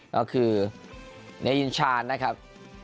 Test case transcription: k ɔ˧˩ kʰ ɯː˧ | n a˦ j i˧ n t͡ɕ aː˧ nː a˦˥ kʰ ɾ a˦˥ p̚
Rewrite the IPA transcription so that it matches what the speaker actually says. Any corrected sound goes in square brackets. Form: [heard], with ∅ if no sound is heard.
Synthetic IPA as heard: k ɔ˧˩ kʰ ɯː˧ | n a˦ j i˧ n [t͡ɕʰ] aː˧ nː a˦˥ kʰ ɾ a˦˥ p̚